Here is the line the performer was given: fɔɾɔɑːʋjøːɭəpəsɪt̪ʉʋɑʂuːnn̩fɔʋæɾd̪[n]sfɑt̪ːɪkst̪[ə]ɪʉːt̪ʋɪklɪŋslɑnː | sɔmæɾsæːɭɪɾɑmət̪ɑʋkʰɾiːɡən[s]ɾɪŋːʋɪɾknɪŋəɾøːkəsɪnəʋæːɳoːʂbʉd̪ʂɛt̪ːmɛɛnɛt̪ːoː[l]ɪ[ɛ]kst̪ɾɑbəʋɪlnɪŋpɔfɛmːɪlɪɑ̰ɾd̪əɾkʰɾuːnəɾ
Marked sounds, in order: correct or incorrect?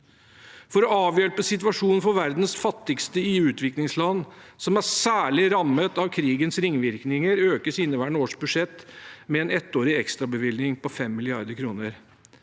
correct, correct, correct, incorrect: ɾ, correct

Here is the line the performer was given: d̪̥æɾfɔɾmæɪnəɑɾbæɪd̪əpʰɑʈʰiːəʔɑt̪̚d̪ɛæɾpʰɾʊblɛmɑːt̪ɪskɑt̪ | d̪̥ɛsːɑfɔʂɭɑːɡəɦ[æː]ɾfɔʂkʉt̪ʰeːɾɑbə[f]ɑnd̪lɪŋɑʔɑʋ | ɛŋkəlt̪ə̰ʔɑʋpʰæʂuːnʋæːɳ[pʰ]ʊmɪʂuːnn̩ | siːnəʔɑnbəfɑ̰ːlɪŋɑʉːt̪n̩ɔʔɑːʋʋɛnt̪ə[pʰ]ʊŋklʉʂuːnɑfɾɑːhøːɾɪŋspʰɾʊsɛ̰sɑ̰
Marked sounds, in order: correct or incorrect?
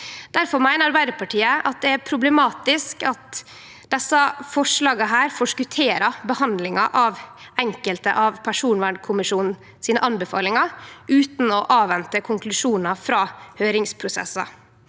correct, incorrect: h, incorrect: kʰ, incorrect: kʰ

